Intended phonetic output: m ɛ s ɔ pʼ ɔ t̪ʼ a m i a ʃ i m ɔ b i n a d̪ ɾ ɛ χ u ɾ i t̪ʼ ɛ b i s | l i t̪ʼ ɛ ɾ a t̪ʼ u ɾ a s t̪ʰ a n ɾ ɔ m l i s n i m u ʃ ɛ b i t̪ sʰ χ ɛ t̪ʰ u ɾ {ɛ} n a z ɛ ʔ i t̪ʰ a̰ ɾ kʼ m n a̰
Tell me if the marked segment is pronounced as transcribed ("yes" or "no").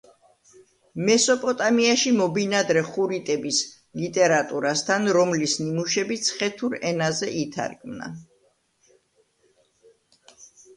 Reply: yes